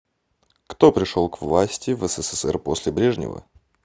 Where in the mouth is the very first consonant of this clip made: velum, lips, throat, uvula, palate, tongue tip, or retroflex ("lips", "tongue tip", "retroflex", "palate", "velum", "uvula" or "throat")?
velum